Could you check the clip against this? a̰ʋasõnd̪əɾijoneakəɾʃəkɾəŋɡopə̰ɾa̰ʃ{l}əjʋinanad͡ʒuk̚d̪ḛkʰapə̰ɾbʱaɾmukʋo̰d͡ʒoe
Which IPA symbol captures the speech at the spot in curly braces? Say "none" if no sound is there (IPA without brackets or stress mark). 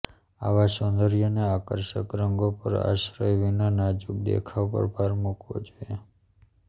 ɾ